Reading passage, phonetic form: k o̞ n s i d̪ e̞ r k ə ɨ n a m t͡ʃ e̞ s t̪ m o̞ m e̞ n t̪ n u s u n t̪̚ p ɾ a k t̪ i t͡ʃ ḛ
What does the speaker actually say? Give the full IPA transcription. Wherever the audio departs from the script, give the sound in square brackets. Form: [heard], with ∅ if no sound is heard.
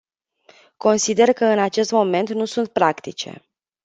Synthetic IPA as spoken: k o̞ n s i d̪ e̞ r k ə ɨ n a [∅] t͡ʃ e̞ s t̪ m o̞ m e̞ n t̪ n u s u n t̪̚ p ɾ a k t̪ i t͡ʃ ḛ